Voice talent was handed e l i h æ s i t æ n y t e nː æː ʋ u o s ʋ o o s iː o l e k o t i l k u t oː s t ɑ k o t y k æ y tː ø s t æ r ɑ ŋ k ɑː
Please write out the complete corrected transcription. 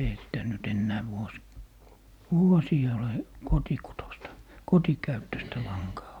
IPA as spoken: e i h æ s i t æ n y t e nː æː ʋ u o s ʋ u o s iː o l e k o t i k u t o s t ɑ k o t i k æ y tː ø s t æ l ɑ ŋ k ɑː